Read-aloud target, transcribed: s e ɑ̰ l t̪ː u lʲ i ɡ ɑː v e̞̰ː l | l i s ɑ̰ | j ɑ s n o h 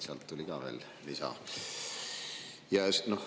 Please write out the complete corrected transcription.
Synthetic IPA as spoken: s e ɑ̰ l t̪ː u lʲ i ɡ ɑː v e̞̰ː l | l i s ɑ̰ | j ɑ s n o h